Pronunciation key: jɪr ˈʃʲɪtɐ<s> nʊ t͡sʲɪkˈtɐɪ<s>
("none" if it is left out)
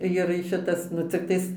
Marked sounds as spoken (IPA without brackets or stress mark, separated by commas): s, s